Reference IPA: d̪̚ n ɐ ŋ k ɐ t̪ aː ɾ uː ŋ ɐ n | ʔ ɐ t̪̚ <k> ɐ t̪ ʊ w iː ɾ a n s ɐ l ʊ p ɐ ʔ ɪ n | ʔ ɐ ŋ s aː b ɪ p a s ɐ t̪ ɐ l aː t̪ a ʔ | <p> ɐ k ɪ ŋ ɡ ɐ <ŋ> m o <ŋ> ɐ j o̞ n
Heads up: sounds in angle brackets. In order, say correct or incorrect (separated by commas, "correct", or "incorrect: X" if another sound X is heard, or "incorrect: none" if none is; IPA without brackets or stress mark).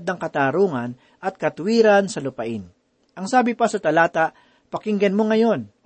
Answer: correct, correct, incorrect: n, correct